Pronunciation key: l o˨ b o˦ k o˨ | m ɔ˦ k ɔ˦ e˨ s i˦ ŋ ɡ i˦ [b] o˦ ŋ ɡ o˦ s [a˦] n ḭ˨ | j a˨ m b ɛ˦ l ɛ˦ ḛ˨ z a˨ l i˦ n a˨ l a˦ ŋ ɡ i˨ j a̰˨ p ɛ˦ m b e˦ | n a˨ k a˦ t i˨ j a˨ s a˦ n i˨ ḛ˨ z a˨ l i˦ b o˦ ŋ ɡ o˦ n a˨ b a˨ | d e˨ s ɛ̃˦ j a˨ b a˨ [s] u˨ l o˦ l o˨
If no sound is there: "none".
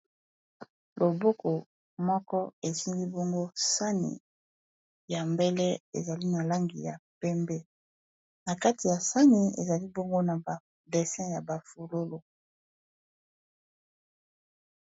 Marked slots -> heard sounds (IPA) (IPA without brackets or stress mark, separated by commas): b, a˦, f